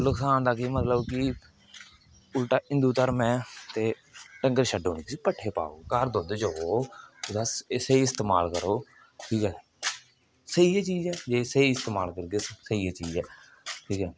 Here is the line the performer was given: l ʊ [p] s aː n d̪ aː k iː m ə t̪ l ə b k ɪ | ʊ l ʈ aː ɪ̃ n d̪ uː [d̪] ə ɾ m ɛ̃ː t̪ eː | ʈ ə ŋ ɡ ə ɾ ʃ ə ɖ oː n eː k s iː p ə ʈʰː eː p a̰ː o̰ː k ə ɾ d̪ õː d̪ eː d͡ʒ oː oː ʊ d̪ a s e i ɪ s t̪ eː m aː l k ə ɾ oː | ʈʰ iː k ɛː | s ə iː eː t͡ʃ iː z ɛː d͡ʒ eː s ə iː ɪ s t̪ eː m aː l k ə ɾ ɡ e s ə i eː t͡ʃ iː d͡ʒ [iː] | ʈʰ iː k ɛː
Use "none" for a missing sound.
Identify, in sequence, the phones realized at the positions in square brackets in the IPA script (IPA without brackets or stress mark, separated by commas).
k, t̪, ɛː